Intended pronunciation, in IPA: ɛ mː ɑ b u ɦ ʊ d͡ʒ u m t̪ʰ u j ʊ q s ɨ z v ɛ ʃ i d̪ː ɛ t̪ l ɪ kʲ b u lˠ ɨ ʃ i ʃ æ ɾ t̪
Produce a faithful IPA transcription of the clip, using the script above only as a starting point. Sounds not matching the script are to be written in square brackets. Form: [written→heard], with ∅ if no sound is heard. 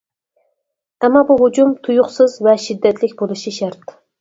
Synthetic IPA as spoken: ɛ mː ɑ b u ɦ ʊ d͡ʒ u m t̪ʰ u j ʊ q s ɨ z v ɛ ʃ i d̪ː ɛ t̪ l ɪ kʲ b [u→o] lˠ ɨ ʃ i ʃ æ ɾ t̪